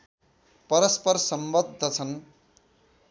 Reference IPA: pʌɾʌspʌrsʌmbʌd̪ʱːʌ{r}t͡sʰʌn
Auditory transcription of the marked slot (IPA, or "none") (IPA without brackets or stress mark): none